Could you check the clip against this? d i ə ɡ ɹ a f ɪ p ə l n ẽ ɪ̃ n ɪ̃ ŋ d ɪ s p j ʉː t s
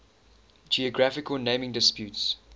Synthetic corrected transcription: d͡ʒ i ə ɡ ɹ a f ɪ k ə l n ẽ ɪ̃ m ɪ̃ ŋ d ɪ s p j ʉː t s